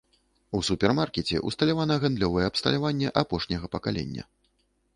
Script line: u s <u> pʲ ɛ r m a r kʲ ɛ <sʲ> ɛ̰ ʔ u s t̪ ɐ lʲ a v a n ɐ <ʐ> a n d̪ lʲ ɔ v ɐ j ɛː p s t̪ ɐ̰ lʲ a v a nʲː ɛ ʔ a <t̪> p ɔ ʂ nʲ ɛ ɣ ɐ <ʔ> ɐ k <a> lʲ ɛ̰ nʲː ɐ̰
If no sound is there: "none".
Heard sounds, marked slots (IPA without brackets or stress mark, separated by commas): u, t͡sʲ, ɣ, none, p, a